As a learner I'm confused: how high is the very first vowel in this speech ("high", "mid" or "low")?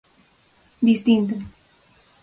high